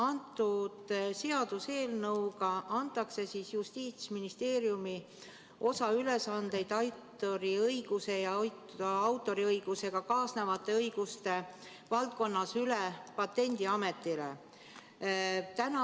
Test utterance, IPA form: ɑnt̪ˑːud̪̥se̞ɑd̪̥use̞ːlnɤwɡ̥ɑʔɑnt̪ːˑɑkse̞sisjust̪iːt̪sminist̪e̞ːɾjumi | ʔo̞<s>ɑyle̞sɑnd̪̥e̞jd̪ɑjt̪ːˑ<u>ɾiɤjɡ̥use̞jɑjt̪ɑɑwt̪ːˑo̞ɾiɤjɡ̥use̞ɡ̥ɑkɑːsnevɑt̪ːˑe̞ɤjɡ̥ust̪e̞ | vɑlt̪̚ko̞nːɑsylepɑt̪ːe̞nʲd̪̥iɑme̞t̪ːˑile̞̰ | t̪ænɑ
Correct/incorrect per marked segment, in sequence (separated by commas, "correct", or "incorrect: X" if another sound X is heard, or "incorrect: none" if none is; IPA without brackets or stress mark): correct, incorrect: o